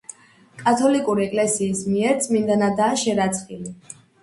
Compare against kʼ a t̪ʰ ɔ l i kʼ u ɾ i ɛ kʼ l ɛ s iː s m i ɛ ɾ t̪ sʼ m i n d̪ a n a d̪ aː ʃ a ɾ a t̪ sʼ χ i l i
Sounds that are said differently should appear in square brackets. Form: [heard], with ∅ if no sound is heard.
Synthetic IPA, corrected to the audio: kʼ a t̪ʰ ɔ l i kʼ u ɾ i ɛ kʼ l ɛ s iː s m i ɛ ɾ t̪ sʼ m i n d̪ a n a d̪ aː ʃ [ɛ] ɾ a t̪ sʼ χ i l i